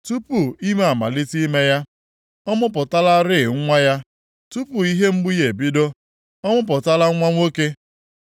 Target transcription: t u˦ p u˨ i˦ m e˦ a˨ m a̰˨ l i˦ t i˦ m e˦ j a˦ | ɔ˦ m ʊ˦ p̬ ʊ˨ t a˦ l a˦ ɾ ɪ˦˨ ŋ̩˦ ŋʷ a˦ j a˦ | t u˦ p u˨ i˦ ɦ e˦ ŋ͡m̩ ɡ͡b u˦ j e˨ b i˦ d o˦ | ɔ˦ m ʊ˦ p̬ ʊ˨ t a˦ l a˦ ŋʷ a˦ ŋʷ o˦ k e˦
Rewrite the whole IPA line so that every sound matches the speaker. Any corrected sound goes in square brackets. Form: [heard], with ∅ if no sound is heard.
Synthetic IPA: t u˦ p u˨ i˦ m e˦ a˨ m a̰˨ l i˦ t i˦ m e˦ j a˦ | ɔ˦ m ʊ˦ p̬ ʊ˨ t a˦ l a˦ ɾ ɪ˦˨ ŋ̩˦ ŋʷ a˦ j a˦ | t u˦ p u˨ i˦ ɦ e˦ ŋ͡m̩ ɡ͡b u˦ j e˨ b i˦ d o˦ | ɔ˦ m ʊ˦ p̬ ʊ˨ t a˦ l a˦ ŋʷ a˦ ŋʷ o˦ k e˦